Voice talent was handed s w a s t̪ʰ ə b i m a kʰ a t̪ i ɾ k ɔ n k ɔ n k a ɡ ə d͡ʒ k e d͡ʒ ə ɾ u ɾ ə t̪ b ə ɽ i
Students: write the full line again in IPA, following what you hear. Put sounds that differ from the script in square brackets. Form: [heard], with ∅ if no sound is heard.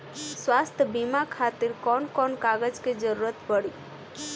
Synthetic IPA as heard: s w a s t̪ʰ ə b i m a kʰ a t̪ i ɾ k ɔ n k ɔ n k a ɡ ə d͡ʒ k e d͡ʒ ə ɾ u ɾ ə t̪ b ə ɽ i